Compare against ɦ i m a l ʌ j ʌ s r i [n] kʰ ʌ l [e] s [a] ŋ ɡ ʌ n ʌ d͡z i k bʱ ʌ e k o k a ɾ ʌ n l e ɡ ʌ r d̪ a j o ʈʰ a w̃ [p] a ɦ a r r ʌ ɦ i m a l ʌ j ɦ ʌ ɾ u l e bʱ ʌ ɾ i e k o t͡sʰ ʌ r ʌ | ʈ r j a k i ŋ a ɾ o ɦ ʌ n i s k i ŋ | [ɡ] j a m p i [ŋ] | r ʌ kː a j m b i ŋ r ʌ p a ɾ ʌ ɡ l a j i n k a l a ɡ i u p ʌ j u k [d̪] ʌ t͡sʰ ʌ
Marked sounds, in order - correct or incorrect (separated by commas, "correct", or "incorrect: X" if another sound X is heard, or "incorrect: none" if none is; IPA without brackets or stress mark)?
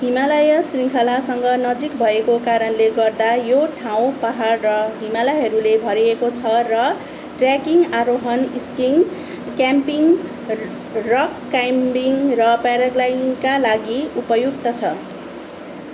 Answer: incorrect: ŋ, incorrect: a, incorrect: ʌ, correct, incorrect: k, correct, incorrect: t̪